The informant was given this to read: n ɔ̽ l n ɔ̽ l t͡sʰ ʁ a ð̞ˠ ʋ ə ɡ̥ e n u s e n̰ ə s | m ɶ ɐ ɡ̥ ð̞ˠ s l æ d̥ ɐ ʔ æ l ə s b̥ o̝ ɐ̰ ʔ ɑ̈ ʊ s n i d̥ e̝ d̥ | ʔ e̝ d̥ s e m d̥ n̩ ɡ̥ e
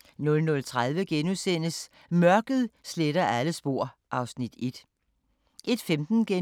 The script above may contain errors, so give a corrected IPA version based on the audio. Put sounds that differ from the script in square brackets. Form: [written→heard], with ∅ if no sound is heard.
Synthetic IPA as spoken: n ɔ̽ l n ɔ̽ l t͡sʰ ʁ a ð̞ˠ ʋ ə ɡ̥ e n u s e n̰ ə s | m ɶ ɐ ɡ̥ ð̞ˠ s l [æ→e] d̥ ɐ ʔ æ l ə s b̥ o̝ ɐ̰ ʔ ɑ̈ ʊ s n i d̥ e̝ d̥ | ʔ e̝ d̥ [s→f] e m d̥ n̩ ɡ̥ e